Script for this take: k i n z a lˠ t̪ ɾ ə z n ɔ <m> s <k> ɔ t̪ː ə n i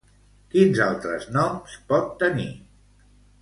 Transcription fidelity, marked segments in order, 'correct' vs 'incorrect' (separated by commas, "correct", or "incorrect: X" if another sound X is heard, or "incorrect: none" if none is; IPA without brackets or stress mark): correct, incorrect: p